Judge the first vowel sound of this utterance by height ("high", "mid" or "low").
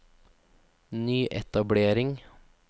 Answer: high